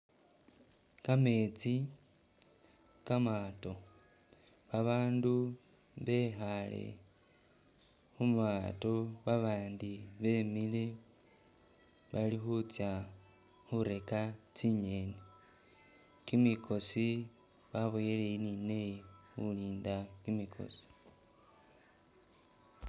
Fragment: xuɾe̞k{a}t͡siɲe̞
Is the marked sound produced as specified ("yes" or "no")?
yes